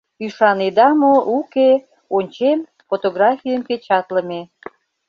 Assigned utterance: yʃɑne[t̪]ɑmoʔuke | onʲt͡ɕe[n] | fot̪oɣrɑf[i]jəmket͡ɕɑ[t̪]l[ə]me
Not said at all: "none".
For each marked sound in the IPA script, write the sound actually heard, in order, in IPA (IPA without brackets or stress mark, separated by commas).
d̪, m, i, t̪, ə